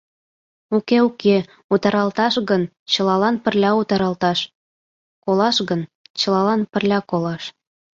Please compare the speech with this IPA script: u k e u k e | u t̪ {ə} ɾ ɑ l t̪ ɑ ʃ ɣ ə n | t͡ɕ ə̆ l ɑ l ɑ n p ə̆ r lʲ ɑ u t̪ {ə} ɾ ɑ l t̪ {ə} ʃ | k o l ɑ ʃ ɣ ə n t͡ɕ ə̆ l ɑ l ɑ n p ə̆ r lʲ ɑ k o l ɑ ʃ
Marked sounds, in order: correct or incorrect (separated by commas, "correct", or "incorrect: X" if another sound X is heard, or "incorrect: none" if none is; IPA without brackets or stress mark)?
incorrect: ɑ, incorrect: ɑ, incorrect: ɑ